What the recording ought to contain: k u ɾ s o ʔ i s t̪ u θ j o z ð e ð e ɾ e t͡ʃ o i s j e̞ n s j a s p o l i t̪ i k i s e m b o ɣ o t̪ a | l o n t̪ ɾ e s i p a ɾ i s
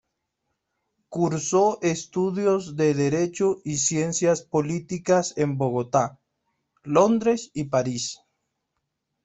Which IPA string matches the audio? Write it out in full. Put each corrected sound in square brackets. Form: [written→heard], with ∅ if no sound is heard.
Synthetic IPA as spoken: k u ɾ s o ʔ [i→e] s t̪ u [θ→ð] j o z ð e ð e ɾ e t͡ʃ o i s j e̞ n s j a s p o l i t̪ i k [i→a] s e m b o ɣ o t̪ a | l o n [t̪→d̪] ɾ e s i p a ɾ i s